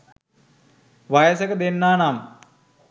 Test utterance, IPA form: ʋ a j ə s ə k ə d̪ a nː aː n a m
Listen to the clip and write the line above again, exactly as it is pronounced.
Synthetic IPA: ʋ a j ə s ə k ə d̪ e nː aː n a m

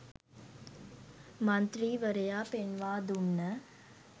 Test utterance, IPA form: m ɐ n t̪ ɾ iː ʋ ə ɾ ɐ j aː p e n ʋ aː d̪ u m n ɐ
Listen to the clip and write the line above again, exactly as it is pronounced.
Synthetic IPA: m ɐ n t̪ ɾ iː ʋ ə ɾ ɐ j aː p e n ʋ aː d̪ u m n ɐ

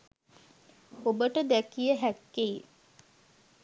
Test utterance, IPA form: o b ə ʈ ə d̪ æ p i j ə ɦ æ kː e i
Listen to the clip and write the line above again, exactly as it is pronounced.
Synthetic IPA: o b ə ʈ ə d̪ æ k i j ə ɦ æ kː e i

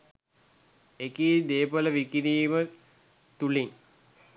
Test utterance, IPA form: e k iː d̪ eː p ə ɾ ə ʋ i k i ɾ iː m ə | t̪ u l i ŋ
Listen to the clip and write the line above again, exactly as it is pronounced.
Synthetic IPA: e k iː d̪ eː p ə l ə ʋ i k i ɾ iː m ə | t̪ u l i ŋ

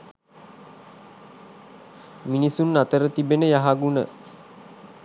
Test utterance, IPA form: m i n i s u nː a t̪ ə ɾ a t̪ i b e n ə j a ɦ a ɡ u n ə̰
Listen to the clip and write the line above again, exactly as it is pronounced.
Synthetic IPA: m i n i s u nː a t̪ ə ɾ ə t̪ i b e n ə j a ɦ a ɡ u n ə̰

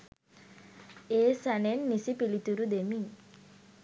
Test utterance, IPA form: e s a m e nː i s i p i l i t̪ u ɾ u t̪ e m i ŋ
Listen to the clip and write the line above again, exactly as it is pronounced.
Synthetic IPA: e s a n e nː i s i p i l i t̪ u ɾ u d̪ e m i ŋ

